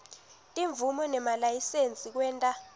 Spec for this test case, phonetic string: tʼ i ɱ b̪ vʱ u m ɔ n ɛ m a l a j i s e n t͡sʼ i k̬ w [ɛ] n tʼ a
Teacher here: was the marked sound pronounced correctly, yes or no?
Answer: no